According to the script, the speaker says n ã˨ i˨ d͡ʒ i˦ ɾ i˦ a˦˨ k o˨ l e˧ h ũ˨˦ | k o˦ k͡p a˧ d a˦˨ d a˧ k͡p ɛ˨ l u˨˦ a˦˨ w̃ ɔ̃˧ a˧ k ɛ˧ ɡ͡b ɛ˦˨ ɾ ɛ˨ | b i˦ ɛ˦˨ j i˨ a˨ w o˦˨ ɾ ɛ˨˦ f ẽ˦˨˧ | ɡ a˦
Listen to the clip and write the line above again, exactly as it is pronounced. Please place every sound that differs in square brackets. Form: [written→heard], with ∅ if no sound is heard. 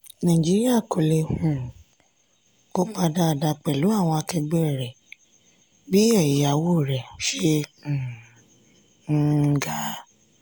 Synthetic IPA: n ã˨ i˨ d͡ʒ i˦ ɾ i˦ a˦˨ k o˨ l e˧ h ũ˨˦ | k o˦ k͡p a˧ d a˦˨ d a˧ k͡p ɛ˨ l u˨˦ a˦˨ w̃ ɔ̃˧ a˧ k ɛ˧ ɡ͡b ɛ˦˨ ɾ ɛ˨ | b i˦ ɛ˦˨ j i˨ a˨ w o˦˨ ɾ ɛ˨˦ [f→ʃ] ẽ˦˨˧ | ɡ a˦